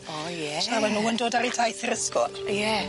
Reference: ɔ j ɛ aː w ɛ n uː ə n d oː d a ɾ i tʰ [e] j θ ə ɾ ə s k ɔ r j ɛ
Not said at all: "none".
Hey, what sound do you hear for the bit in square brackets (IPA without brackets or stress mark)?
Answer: a